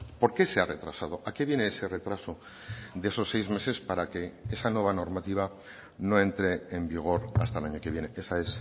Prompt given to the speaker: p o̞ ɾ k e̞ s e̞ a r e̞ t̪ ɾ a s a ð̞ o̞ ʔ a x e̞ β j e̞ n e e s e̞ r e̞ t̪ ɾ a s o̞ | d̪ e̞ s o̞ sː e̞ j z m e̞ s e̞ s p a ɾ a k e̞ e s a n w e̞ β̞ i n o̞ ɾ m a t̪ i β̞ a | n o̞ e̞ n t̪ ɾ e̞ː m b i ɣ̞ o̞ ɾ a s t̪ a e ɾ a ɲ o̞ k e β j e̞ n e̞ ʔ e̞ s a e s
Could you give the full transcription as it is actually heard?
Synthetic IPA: p o̞ ɾ k e̞ s e̞ a r e̞ t̪ ɾ a s a ð̞ o̞ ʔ a k e̞ β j e̞ n e e s e̞ r e̞ t̪ ɾ a s o̞ | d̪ e̞ s o̞ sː e̞ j z m e̞ s e̞ s p a ɾ a k e̞ e s a n w e̞ β̞ a n o̞ ɾ m a t̪ i β̞ a | n o̞ e̞ n t̪ ɾ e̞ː m b i ɣ̞ o̞ ɾ a s t̪ a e l a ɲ o̞ k e β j e̞ n e̞ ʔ e̞ s a e s

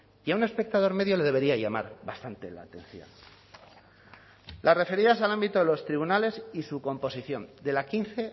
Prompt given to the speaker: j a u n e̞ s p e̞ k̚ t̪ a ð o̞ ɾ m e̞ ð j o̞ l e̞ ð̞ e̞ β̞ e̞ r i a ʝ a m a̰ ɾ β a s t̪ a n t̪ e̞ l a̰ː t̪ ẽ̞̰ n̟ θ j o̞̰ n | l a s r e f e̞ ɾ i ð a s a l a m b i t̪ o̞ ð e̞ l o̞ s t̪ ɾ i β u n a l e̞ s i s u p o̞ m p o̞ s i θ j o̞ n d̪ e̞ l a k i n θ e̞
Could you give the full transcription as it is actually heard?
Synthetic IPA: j a u n e̞ s p e̞ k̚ t̪ a ð o̞ ɾ m e̞ ð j o̞ l e̞ ð̞ e̞ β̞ e̞ ɾ i a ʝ a m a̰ ɾ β a s t̪ a n t̪ e̞ l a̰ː t̪ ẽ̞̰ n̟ θ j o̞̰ n | l a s r e f e̞ ɾ i ð a s a l a m b i t̪ o̞ ð e̞ l o̞ s t̪ ɾ i β u n a l e̞ s i s u k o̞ m p o̞ s i θ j o̞ n d̪ e̞ l a k i n θ e̞

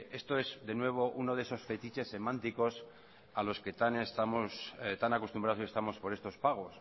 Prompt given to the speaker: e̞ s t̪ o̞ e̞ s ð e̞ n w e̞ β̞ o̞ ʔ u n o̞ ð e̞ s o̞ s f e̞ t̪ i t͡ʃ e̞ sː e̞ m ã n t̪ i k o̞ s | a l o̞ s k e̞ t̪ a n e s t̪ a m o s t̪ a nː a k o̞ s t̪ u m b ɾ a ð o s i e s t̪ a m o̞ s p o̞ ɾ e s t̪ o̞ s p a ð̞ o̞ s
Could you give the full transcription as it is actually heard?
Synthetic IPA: e̞ s t̪ o̞ e̞ s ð e̞ n w e̞ β̞ o̞ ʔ u n o̞ ð e̞ s o̞ s f e̞ t̪ i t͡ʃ e̞ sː e̞ m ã n t̪ i k o̞ s | a l o̞ s k e̞ t̪ a n e s t̪ a m o s t̪ a n a k o̞ s t̪ u m b ɾ a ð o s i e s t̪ a m o̞ s p o̞ ɾ e s t̪ o̞ s p a ɣ̞ o̞ s

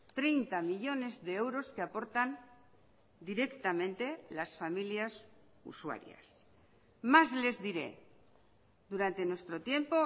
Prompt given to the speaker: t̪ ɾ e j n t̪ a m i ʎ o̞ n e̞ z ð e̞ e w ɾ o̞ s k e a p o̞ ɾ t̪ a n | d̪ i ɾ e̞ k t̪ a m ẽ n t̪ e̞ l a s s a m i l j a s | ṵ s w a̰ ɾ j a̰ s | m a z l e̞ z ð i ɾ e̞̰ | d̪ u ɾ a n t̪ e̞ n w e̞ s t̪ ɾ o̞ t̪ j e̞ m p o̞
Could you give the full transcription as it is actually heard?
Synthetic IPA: t̪ ɾ e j n t̪ a m i ʎ o̞ n e̞ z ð e̞ e w ɾ o̞ s k e a p o̞ ɾ t̪ a n | d̪ i ɾ e̞ k t̪ a m ẽ n t̪ e̞ l a s f a m i l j a s | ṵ s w a̰ ɾ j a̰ s | m a z l e̞ z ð i ɾ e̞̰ | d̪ u ɾ a n t̪ e̞ n w e̞ s t̪ ɾ o̞ t̪ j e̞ m p o̞

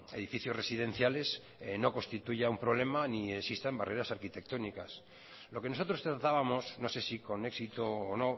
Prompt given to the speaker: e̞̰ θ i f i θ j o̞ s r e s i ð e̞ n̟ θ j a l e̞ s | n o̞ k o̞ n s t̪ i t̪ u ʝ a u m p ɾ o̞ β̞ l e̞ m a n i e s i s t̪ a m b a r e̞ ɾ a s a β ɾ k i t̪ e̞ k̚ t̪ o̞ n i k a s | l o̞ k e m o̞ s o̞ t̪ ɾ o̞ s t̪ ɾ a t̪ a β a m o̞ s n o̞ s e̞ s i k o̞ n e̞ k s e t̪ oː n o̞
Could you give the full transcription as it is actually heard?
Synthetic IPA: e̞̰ ð i f i θ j o̞ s r e s i ð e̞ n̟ θ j a l e̞ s | n o̞ k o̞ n s t̪ i t̪ u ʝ a u m p ɾ o̞ β̞ l e̞ m a n i e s i s t̪ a m b a r e̞ ɾ a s a ɾ k i t̪ e̞ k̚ t̪ o̞ n i k a s | l o̞ k e n o̞ s o̞ t̪ ɾ o̞ s t̪ ɾ a t̪ a β a m o̞ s n o̞ s e̞ s i k o̞ n e̞ k s i t̪ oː n o̞

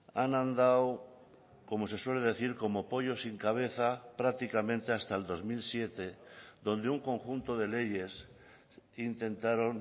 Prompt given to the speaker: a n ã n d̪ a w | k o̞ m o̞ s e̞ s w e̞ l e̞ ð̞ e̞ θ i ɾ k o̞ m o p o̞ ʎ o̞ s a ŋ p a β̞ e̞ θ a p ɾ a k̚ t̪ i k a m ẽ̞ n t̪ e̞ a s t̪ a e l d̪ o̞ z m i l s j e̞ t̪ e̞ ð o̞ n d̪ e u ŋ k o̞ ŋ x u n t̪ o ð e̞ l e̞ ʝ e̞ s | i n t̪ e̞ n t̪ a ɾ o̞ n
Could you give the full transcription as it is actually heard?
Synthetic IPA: a n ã n d̪ a w | k o̞ m o̞ s e̞ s w e̞ l e̞ ð̞ e̞ θ i ɾ k o̞ m o p o̞ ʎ o̞ s i ŋ k a β̞ e̞ θ a p ɾ a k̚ t̪ i k a m ẽ̞ n t̪ e̞ a s t̪ a e l d̪ o̞ z m i l s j e̞ t̪ e̞ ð o̞ n d̪ e u ŋ k o̞ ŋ x u n t̪ o ð e̞ l e̞ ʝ e̞ s | i n t̪ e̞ n t̪ a ɾ o̞ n

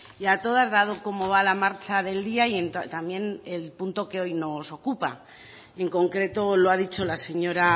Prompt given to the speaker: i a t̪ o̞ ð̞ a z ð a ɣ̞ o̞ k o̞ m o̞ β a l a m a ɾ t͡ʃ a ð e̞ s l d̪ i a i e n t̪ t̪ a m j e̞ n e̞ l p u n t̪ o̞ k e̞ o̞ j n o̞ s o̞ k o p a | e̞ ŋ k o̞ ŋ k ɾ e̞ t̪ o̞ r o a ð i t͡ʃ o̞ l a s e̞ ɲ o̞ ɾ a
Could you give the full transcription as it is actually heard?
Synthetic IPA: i a t̪ o̞ ð̞ a z ð a ð̞ o̞ k o̞ m o̞ β a l a m a ɾ t͡ʃ a ð e̞ l d̪ i a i e n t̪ t̪ a m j e̞ n e̞ l p u n t̪ o̞ k e̞ o̞ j n o̞ s o̞ k u p a | e̞ ŋ k o̞ ŋ k ɾ e̞ t̪ o̞ l o a ð i t͡ʃ o̞ l a s e̞ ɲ o̞ ɾ a

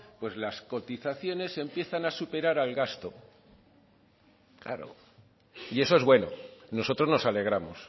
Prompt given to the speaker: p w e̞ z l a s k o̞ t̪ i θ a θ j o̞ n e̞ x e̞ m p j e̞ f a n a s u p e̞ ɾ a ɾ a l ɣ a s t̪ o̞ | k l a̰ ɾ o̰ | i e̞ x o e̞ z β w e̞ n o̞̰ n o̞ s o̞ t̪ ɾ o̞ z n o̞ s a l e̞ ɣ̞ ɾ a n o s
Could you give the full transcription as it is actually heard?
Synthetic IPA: p w e̞ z l a s k o̞ t̪ i θ a θ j o̞ n e̞ s e̞ m p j e̞ θ a n a s u p e̞ ɾ a ɾ a l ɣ a s t̪ o̞ | k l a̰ ɾ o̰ | i e̞ s o e̞ z β w e̞ n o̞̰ n o̞ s o̞ t̪ ɾ o̞ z n o̞ s a l e̞ ɣ̞ ɾ a m o s

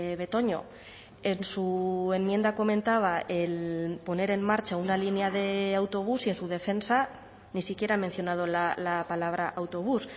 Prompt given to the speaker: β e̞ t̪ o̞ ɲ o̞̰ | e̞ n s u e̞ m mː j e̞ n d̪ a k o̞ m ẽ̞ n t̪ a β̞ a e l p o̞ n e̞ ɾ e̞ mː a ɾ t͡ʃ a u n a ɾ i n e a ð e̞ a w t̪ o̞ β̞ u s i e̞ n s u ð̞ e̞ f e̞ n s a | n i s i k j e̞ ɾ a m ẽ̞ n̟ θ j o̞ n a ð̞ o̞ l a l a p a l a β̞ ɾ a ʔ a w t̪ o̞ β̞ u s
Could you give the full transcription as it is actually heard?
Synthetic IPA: β e̞ t̪ o̞ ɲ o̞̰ | e̞ n s u e̞ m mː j e̞ n d̪ a k o̞ m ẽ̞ n t̪ a β̞ a e l p o̞ n e̞ ɾ e̞ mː a ɾ t͡ʃ a u n a l i n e a ð e̞ a w t̪ o̞ β̞ u s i e̞ n s u ð̞ e̞ f e̞ n s a | n i s i k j e̞ ɾ a m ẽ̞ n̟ θ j o̞ n a ð̞ o̞ l a l a p a l a β̞ ɾ a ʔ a w t̪ o̞ β̞ u s

